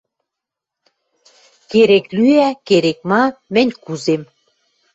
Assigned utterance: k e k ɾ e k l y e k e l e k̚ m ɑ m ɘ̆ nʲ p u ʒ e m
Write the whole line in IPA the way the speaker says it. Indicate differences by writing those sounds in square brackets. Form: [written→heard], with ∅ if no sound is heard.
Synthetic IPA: k e [k→∅] ɾ e k l y [e→æ] k e [l→ɾ] e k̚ m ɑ m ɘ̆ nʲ [p→k] u [ʒ→z] e m